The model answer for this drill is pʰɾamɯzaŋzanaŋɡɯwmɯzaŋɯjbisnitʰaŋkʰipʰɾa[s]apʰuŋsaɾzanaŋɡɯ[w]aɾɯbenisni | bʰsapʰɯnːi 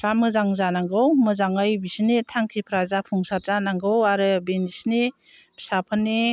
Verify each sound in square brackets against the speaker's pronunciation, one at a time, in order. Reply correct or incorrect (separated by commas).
incorrect, correct